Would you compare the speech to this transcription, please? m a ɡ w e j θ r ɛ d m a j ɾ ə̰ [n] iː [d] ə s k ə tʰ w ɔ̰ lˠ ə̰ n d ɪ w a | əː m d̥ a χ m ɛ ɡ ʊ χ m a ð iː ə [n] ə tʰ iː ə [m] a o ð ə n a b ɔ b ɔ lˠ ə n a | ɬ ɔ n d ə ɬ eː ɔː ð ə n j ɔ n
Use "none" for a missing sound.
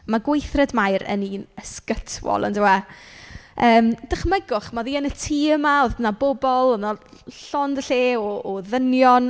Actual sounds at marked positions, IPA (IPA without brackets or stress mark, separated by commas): n, n, n, m